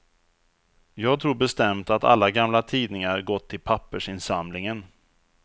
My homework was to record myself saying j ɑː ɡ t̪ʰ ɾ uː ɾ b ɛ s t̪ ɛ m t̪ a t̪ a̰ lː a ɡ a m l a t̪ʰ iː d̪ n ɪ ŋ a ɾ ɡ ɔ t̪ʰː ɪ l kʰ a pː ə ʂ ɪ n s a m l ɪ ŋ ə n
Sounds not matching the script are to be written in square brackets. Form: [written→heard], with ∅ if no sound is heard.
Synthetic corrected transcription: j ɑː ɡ t̪ʰ ɾ uː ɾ b ɛ s t̪ ɛ m t̪ a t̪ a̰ lː a ɡ a m l a t̪ʰ iː d̪ n ɪ ŋ a ɾ ɡ ɔ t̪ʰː ɪ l [kʰ→pʰ] a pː ə ʂ ɪ n s a m l ɪ ŋ ə n